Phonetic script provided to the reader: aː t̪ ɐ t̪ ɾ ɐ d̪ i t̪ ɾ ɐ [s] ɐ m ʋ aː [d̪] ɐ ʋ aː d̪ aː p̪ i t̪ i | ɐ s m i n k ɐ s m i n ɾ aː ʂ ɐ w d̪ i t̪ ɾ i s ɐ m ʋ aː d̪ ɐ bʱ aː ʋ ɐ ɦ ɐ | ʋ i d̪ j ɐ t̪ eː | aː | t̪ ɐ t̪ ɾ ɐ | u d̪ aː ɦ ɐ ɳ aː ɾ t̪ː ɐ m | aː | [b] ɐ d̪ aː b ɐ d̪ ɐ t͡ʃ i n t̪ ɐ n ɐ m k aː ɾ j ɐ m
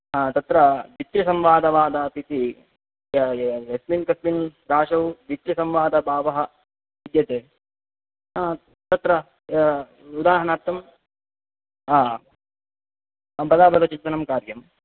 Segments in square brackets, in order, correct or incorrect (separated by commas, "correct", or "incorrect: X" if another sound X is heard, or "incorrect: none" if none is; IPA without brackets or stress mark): correct, correct, correct